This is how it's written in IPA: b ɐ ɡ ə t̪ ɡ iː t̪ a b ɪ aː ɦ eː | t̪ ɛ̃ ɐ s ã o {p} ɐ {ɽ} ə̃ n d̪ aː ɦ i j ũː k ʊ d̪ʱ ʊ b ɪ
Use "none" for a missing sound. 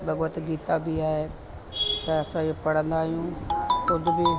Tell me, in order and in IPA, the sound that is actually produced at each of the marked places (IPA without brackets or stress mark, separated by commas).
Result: p, ɽ